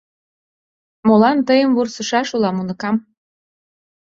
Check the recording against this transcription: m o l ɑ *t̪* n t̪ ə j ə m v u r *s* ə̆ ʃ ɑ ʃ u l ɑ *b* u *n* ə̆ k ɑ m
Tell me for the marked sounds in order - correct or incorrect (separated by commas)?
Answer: incorrect, correct, incorrect, correct